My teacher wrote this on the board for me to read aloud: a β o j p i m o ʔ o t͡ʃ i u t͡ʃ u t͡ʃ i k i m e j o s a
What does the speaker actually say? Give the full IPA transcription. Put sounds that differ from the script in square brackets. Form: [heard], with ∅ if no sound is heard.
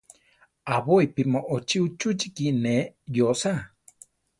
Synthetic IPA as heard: a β o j p i m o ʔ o t͡ʃ i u t͡ʃ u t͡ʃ i k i [n] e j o s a